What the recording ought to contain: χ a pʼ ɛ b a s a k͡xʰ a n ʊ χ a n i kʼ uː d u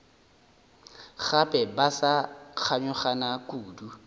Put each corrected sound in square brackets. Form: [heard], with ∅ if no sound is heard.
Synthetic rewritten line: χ a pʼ ɛ b a s a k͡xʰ a [ɲ] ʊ χ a n [a] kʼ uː d u